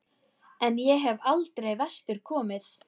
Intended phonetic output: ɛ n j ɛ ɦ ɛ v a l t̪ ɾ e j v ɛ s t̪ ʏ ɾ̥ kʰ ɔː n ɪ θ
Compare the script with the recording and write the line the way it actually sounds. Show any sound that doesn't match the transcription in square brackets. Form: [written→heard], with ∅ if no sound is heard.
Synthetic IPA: ɛ n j ɛ ɦ ɛ v a l t̪ ɾ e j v ɛ s t̪ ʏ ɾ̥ kʰ ɔː [n→m] ɪ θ